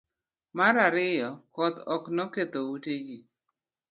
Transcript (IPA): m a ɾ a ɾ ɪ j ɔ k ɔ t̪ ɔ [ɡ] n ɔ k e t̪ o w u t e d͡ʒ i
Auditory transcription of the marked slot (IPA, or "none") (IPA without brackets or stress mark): k